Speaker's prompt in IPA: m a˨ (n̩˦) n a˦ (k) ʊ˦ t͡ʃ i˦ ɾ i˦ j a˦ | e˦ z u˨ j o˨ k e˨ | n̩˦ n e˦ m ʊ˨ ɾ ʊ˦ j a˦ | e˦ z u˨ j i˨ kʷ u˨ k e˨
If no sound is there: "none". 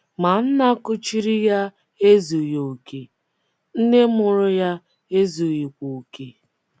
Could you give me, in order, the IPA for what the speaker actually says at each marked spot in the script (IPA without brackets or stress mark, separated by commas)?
n̩˦, k